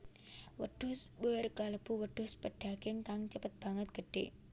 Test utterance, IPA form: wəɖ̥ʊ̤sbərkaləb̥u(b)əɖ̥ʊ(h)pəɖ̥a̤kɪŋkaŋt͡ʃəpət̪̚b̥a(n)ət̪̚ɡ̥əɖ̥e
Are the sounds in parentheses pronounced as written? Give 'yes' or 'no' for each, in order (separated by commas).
no, no, no